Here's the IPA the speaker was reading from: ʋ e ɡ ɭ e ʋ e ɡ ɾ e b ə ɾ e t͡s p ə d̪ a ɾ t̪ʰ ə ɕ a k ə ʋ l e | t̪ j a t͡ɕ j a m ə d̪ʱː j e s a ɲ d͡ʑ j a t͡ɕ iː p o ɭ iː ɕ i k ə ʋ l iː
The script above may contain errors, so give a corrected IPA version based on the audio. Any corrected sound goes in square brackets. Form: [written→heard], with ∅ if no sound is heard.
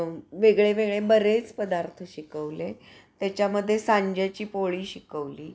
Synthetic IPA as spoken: ʋ e ɡ ɭ e ʋ e ɡ [ɾ→ɭ] e b ə ɾ e t͡s p ə d̪ a ɾ t̪ʰ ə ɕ [a→i] k ə ʋ l e | t̪ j a t͡ɕ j a m ə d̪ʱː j e s a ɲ d͡ʑ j a t͡ɕ iː p o ɭ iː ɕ i k ə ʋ l iː

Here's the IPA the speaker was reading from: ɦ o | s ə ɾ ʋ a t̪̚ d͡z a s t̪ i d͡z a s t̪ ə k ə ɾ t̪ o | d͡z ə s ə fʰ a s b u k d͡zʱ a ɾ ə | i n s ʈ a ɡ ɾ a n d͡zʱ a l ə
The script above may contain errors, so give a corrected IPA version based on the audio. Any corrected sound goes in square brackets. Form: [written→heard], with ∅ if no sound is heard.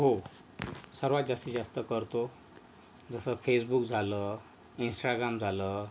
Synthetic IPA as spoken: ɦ o | s ə ɾ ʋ a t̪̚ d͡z a s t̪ i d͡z a s t̪ ə k ə ɾ t̪ o | d͡z ə s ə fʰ [a→e] s b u k d͡zʱ a [ɾ→l] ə | i n s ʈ a ɡ ɾ a [n→m] d͡zʱ a l ə

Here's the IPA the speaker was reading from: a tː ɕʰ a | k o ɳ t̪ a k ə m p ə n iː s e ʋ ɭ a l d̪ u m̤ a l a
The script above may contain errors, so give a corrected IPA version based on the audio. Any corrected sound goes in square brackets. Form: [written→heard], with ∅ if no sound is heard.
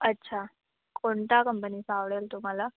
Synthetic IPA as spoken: [a→ə] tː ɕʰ a | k o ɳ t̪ a k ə m p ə n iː s [e→a] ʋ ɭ [a→e] l [d̪→t̪] u m̤ a l a

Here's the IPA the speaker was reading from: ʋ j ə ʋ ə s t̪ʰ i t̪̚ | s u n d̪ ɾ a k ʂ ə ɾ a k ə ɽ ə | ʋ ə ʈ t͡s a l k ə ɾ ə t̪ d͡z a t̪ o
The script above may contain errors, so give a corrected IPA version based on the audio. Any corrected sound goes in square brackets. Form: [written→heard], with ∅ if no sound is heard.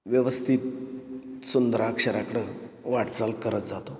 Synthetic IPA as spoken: ʋ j ə ʋ ə s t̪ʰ i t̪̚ | s u n d̪ ɾ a k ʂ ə ɾ a k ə ɽ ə | ʋ [ə→a] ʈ t͡s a l k ə ɾ ə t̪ d͡z a t̪ o

